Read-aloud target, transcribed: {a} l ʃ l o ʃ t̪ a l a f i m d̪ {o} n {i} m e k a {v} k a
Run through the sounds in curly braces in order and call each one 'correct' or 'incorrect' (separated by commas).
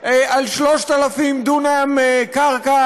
correct, incorrect, incorrect, incorrect